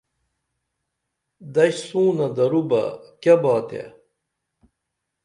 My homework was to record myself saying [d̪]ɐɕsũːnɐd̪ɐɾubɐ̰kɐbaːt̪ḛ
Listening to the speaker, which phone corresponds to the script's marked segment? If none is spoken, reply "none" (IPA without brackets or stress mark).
d̪